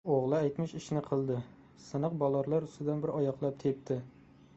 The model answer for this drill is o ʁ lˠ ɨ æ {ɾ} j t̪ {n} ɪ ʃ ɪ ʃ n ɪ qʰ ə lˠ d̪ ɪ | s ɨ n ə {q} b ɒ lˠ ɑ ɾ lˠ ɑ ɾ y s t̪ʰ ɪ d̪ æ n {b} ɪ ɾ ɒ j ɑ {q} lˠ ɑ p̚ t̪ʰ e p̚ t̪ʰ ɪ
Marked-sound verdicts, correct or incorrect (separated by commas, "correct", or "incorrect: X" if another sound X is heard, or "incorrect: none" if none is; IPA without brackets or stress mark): incorrect: none, incorrect: m, correct, correct, correct